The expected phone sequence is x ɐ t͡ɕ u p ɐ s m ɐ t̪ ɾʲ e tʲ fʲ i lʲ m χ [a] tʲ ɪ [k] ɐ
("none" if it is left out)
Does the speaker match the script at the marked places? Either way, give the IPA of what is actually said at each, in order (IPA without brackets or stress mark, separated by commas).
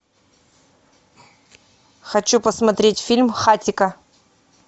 a, k